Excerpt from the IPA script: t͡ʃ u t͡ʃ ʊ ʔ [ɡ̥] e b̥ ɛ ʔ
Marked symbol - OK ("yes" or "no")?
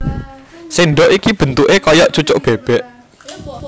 no